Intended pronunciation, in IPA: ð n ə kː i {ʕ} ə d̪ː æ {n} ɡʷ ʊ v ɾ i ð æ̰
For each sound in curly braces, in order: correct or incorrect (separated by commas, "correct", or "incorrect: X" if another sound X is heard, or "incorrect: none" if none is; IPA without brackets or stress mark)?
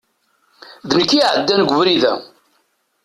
correct, correct